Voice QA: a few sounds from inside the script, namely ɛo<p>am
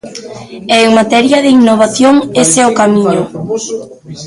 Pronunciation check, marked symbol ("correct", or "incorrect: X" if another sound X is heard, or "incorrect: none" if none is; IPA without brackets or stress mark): incorrect: k